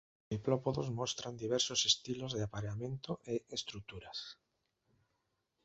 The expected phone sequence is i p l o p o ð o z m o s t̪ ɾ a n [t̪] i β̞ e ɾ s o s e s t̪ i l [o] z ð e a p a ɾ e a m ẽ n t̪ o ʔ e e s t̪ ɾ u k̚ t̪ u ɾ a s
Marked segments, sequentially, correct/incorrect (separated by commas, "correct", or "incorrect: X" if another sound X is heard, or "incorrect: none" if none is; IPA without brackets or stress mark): incorrect: d̪, correct